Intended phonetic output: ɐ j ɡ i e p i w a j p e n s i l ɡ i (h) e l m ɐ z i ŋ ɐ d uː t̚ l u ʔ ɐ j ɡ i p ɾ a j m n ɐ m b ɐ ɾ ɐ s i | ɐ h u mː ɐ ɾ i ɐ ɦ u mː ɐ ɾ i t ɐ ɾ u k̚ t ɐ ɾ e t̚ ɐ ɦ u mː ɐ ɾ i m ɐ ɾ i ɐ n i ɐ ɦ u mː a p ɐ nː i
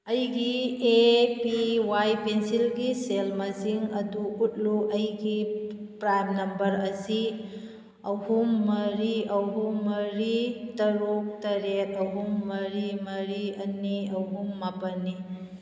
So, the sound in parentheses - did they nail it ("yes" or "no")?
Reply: no